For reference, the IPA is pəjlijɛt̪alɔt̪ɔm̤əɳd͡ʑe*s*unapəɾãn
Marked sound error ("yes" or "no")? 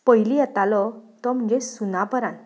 no